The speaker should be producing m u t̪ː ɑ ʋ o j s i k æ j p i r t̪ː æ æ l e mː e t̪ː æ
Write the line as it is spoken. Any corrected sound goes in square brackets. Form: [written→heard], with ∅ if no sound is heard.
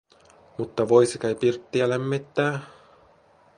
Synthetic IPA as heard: m u t̪ː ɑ ʋ o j s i k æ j p i r t̪ː [æ→i] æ l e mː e t̪ː [æ→æː]